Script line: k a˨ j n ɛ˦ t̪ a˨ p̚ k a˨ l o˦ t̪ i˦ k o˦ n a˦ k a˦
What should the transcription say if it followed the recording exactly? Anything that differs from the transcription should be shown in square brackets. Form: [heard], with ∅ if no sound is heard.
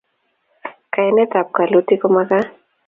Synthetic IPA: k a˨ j n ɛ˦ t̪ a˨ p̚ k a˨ l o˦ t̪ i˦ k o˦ [m] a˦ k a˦